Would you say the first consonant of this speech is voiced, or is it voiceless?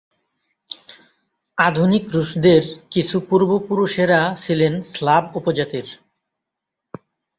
voiced